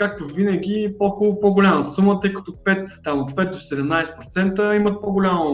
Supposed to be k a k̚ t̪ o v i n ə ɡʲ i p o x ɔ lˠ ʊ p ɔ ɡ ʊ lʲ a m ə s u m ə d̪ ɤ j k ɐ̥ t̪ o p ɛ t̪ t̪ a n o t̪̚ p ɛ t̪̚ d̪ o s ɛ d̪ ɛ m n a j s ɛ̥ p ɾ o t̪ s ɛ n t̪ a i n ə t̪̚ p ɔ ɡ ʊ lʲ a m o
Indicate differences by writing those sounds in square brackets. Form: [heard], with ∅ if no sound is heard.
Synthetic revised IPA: k a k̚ t̪ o v i n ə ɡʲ i p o x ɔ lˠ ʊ p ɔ ɡ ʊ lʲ a m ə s u m ə [t̪] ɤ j k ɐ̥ t̪ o p ɛ t̪ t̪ a [m] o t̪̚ p ɛ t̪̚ d̪ o s ɛ d̪ ɛ m n a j s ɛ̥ p ɾ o t̪ s ɛ n t̪ [ə] i [m] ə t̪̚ p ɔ ɡ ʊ lʲ a m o